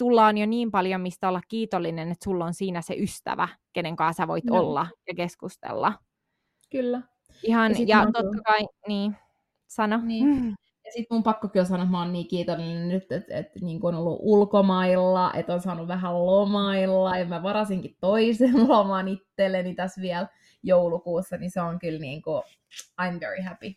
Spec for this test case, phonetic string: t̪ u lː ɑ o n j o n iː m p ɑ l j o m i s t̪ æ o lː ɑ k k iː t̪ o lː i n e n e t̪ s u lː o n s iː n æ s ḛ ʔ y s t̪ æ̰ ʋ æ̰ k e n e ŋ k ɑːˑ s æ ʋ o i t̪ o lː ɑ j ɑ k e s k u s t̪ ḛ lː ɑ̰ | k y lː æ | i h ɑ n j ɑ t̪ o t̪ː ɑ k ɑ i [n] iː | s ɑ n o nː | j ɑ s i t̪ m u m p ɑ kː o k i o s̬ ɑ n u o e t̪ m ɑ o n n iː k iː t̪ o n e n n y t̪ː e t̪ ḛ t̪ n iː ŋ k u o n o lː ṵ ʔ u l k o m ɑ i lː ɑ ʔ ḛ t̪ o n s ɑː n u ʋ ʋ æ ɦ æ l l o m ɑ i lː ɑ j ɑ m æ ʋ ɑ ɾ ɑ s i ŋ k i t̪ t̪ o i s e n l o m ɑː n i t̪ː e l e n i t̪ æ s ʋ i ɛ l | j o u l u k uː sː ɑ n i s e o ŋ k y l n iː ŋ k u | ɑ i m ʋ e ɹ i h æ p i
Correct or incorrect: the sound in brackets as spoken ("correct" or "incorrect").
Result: correct